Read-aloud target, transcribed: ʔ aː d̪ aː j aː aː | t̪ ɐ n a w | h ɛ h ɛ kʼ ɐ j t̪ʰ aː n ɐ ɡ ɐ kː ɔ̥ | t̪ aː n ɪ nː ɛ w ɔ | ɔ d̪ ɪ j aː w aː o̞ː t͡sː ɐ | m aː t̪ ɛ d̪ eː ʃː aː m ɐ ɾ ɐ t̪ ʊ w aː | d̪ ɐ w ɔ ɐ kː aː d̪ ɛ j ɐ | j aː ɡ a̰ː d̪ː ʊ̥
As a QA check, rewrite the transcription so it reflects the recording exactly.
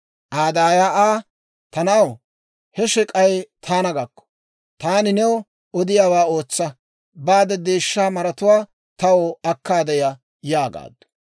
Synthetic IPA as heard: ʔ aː d̪ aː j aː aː | t̪ ɐ n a w | h ɛ ʃ ɛ kʼ ɐ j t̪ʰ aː n ɐ ɡ ɐ kː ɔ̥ | t̪ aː n ɪ n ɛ w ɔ | ɔ d̪ ɪ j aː w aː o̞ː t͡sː ɐ | b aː d̪ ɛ d̪ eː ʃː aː m ɐ ɾ ɐ t̪ ʊ w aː | t̪ ɐ w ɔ ɐ kː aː d̪ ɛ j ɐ | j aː ɡ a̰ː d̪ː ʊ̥